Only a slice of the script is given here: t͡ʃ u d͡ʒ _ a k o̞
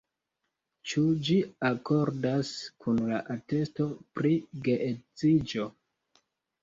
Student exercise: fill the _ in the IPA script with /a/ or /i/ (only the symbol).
i